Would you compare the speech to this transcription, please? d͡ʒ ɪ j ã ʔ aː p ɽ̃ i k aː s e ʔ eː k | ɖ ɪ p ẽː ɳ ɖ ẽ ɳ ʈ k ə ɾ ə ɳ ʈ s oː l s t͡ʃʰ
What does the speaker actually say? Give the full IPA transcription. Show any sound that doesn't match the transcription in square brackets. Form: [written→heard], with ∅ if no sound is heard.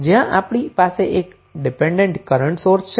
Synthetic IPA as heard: d͡ʒ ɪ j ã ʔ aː p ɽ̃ i [k→p] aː s e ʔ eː k | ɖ ɪ p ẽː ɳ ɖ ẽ ɳ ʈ k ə ɾ ə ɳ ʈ s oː [l→ɾ] s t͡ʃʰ